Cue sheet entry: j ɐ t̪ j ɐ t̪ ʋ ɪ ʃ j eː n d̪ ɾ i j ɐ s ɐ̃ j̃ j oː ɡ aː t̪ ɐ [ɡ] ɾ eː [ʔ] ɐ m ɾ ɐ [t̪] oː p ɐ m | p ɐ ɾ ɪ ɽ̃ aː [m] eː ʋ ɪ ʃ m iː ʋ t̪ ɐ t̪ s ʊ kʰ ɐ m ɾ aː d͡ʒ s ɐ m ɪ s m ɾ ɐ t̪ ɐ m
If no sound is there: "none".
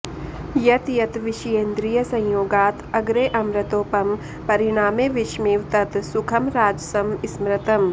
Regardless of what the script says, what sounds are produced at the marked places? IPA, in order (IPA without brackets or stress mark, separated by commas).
ɡ, ʔ, t̪, m